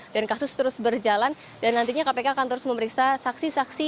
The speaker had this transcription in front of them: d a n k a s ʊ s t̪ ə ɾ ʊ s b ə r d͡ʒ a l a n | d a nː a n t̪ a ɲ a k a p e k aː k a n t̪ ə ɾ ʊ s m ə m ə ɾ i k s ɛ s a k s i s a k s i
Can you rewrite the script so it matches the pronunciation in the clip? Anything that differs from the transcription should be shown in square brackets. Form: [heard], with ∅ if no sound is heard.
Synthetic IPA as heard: d a n k a s ʊ s t̪ ə ɾ ʊ s b ə r d͡ʒ a l a n | d a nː a n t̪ [i] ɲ a k a p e k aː k a n t̪ ə ɾ ʊ s m ə m ə ɾ i k s [a] s a k s i s a k s i